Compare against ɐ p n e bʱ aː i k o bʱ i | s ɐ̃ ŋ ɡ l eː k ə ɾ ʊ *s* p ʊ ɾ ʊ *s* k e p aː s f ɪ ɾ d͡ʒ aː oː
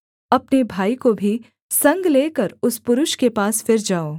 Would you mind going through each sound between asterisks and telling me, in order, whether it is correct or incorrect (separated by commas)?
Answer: correct, incorrect